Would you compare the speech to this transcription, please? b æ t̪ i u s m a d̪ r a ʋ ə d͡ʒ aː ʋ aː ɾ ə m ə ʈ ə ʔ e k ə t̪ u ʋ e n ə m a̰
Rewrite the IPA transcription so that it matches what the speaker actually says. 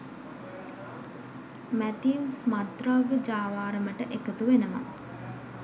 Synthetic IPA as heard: m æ t̪ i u s m a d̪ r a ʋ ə d͡ʒ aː ʋ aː ɾ ə m ə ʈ ə ʔ e k ə t̪ u ʋ e n ə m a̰